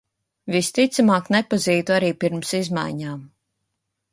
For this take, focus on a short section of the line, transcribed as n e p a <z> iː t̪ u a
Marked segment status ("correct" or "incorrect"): correct